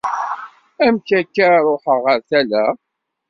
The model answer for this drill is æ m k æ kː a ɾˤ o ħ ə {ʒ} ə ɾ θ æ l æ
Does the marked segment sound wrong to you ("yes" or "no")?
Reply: yes